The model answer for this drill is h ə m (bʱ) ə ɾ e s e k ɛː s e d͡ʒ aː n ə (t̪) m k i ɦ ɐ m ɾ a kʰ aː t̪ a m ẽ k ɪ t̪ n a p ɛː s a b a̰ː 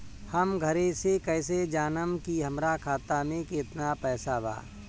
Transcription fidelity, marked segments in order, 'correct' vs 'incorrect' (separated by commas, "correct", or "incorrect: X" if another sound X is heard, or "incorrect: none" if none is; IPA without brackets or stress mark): incorrect: ɡʱ, incorrect: none